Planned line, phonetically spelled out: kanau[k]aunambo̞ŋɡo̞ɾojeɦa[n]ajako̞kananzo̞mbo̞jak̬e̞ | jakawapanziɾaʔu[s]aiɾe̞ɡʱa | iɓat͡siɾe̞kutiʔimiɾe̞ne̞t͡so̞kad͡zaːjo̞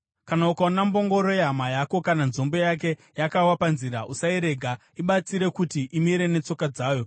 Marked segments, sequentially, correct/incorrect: correct, incorrect, correct

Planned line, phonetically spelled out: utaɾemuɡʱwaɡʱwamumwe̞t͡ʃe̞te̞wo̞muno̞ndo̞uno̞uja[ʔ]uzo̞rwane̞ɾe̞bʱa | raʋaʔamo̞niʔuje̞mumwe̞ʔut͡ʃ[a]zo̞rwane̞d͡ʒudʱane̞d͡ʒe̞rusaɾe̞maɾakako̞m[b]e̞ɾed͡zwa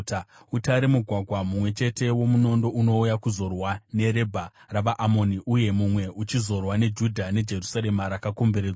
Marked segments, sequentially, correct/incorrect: incorrect, incorrect, correct

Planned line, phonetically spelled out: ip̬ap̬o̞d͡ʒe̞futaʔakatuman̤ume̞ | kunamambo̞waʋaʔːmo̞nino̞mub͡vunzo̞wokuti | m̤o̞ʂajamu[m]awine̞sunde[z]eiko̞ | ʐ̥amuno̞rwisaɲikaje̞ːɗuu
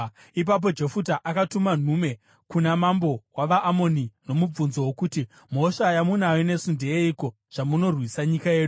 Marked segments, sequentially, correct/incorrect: incorrect, incorrect

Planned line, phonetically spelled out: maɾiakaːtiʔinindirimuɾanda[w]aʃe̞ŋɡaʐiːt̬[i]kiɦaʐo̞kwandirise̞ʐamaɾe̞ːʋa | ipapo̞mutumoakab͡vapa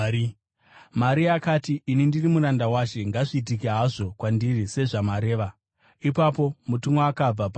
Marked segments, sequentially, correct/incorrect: correct, correct

